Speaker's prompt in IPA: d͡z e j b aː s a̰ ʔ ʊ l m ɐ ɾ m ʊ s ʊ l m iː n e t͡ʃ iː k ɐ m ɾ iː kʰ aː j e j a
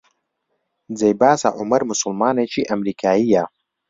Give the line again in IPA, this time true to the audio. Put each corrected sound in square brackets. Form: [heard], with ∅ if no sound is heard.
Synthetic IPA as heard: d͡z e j b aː s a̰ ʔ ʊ [∅] m ɐ ɾ m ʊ s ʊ l m [aː] n e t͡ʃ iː [ʔ] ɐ m ɾ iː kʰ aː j [i] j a